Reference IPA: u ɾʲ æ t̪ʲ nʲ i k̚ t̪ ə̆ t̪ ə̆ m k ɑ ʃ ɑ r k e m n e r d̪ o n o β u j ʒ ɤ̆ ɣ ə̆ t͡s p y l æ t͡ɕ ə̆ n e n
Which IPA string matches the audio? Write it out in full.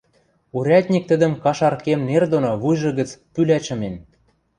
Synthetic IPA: u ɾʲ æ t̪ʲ nʲ i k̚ t̪ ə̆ d̪ ə̆ m k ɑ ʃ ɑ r k e m n e r d̪ o n o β u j ʒ ɤ̆ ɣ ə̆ t͡s p y l æ t͡ɕ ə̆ m e n